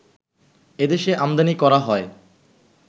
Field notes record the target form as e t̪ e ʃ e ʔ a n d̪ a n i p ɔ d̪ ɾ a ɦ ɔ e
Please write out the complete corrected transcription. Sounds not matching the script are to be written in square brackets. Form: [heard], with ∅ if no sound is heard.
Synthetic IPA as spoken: e [d̪] e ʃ e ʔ a [m] d̪ a n i [k] ɔ [∅] ɾ a ɦ ɔ e

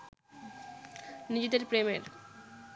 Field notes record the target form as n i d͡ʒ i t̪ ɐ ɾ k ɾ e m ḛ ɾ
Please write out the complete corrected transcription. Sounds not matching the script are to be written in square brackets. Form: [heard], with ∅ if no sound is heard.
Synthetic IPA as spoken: n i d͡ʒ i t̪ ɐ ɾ [p] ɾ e m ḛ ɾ

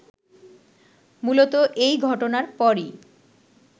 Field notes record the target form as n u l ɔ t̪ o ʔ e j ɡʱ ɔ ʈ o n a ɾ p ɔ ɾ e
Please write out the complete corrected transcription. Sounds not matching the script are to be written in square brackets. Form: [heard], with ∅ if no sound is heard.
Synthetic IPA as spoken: [m] u l [o] t̪ o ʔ e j ɡʱ ɔ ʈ o n a ɾ p ɔ ɾ [i]

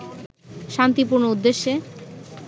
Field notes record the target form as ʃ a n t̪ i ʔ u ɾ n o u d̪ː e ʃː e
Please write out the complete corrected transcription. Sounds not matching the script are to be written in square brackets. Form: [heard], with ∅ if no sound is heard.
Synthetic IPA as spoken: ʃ a n t̪ i [p] u ɾ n o u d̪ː e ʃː e

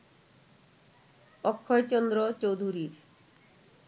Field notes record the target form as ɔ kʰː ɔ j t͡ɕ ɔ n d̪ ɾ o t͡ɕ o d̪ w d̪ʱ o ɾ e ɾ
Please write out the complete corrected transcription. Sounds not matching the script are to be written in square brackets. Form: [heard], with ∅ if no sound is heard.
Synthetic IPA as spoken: ɔ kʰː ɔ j t͡ɕ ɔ n d̪ ɾ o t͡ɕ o [∅] w d̪ʱ [u] ɾ [i] ɾ

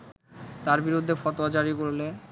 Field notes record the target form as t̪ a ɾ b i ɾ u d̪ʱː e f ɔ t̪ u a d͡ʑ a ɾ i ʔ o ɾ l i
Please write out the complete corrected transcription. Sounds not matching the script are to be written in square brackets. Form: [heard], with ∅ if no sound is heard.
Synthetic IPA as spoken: t̪ a ɾ b i ɾ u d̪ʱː e f ɔ t̪ [o] a d͡ʑ a ɾ i [k] o ɾ l [e]

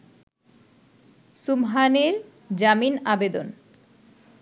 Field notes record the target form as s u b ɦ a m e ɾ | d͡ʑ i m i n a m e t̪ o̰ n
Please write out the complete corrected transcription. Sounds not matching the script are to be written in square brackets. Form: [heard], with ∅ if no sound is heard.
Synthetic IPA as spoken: s u [m] ɦ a [n] e ɾ | d͡ʑ [a] m i n a [b] e [d̪] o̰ n

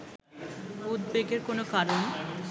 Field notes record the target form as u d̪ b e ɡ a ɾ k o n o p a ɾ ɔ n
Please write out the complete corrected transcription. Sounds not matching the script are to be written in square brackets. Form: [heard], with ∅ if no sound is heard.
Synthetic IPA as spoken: u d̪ b e ɡ [e] ɾ k o n o [k] a ɾ [o] n

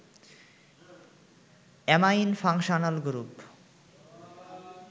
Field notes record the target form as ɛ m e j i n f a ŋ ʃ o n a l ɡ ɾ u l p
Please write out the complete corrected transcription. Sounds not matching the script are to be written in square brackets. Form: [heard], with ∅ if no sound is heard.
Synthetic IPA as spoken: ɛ m [a] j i n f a ŋ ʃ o n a l ɡ ɾ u [∅] p

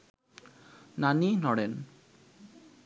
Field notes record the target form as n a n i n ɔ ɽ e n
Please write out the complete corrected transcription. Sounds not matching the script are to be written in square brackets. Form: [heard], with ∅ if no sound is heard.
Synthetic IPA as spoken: n a n i n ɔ ɽ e n

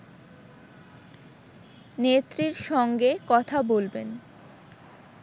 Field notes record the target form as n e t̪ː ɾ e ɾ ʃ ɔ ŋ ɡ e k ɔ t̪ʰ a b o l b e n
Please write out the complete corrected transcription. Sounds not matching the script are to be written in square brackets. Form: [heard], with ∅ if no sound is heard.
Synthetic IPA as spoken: n e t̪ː ɾ [i] ɾ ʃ ɔ ŋ ɡ e k ɔ t̪ʰ a b o l b e n

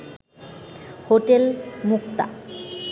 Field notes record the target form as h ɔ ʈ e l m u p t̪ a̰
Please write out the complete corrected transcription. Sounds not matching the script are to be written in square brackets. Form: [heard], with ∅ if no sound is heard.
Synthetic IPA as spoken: h [o] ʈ e l m u [k] t̪ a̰

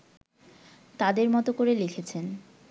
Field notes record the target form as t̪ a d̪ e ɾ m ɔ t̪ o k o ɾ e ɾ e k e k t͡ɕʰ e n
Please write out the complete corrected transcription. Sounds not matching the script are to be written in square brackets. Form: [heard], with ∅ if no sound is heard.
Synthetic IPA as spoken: t̪ a d̪ e ɾ m ɔ t̪ o k o ɾ e [l] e [kʰ] e [∅] t͡ɕʰ e n

